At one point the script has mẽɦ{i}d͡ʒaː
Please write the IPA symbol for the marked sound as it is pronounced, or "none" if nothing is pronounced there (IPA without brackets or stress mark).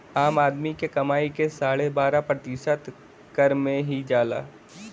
i